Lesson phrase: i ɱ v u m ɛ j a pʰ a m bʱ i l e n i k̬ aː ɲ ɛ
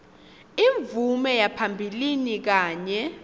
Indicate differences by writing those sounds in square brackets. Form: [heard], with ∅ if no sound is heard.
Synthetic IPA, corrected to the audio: i ɱ v u m ɛ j a pʰ a m bʱ i l [i] n i k̬ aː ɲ ɛ